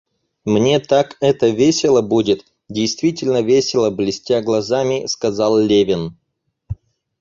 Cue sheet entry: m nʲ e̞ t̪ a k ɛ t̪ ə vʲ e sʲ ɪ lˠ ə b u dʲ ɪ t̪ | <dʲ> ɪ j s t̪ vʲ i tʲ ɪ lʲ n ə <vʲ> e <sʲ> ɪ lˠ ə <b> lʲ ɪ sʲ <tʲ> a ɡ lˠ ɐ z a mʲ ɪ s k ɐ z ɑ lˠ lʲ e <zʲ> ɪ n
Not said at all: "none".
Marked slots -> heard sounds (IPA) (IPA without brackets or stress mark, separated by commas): dʲ, vʲ, sʲ, b, tʲ, vʲ